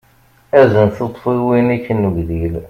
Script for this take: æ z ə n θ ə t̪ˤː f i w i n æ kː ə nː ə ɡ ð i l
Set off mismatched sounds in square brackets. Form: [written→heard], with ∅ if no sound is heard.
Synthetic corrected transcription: æ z ə n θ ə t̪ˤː f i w i n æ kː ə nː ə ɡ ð i l